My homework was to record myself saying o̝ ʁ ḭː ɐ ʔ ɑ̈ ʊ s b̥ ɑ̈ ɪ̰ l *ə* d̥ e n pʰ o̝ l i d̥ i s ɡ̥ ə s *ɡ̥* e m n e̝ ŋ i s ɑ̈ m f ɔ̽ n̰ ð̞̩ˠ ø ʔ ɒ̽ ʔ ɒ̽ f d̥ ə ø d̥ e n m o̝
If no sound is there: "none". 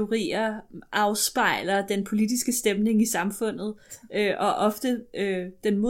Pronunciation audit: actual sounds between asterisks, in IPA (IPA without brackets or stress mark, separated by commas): ɐ, d̥